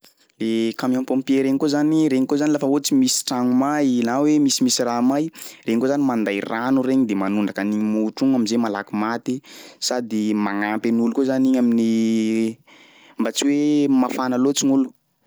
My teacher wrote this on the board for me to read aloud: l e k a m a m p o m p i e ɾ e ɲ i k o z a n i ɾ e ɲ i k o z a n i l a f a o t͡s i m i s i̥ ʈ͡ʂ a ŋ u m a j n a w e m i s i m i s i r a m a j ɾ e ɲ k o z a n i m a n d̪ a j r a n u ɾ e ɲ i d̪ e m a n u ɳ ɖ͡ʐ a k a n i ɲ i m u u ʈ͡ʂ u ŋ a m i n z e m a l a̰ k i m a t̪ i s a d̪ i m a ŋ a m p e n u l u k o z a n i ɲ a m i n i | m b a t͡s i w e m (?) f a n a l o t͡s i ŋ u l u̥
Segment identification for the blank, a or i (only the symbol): a